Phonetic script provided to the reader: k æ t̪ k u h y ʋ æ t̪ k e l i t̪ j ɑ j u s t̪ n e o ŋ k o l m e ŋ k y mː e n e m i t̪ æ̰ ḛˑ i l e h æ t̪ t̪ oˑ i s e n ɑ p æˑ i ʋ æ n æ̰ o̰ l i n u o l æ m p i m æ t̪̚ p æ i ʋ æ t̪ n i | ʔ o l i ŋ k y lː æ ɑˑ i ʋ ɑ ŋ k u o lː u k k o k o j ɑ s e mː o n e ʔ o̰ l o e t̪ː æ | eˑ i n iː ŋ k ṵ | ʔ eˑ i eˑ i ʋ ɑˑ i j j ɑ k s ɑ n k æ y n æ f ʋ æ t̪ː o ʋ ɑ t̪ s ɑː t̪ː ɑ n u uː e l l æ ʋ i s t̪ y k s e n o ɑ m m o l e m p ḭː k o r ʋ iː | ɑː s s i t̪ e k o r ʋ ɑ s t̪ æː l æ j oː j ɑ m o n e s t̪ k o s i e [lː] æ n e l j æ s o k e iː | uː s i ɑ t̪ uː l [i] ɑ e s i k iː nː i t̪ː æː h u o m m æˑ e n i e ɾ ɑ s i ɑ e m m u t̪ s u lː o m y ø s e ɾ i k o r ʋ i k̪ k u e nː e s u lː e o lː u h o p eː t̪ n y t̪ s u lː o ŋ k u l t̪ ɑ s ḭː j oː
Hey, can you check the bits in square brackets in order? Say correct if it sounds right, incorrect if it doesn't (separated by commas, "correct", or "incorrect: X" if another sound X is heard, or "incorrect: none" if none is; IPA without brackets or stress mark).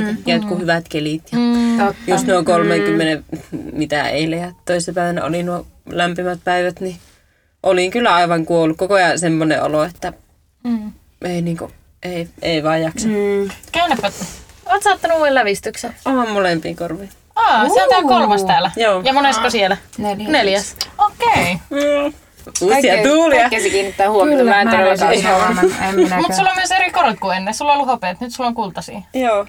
incorrect: l, correct